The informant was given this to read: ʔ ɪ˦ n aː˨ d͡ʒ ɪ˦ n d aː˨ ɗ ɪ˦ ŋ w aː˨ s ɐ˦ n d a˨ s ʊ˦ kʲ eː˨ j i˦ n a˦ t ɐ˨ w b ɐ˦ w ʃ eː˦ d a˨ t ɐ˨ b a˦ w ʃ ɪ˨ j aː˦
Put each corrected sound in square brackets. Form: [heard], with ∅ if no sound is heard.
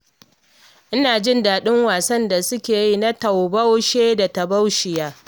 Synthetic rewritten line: ʔ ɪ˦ n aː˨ d͡ʒ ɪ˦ n d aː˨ ɗ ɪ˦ ŋ w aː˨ s ɐ˦ n d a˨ s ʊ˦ kʲ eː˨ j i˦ n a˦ t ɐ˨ w b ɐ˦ w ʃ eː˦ d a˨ t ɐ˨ b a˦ w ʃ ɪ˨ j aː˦